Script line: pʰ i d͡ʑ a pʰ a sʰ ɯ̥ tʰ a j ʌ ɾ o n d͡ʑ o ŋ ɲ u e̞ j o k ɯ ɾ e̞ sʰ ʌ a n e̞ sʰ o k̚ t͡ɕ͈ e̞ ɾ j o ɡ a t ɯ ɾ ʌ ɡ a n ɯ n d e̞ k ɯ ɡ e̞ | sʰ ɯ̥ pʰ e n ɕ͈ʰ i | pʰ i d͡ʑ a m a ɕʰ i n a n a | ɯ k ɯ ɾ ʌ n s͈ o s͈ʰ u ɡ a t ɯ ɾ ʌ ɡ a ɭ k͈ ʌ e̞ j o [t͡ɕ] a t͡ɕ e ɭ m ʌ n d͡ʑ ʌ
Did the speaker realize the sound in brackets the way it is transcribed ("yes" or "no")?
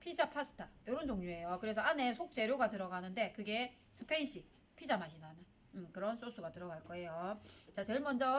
yes